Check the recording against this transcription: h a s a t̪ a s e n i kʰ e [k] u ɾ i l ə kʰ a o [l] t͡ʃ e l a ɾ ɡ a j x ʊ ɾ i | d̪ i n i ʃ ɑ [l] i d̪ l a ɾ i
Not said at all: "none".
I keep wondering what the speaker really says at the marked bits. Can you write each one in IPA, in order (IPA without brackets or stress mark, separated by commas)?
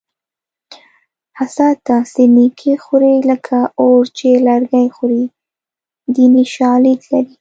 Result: x, ɾ, l